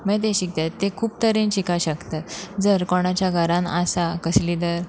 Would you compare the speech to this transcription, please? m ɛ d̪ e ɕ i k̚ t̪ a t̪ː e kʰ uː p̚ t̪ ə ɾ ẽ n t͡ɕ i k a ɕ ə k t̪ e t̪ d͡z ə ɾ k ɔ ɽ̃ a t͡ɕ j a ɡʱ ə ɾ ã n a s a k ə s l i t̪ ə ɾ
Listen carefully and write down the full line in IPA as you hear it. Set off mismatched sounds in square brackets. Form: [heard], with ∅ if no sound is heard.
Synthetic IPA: m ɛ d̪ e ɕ i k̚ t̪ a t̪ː e kʰ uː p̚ t̪ ə ɾ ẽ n t͡ɕ i k a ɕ ə k t̪ [a] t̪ d͡z ə ɾ k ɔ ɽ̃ a t͡ɕ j a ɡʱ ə ɾ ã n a s a k ə s l i [d̪] ə ɾ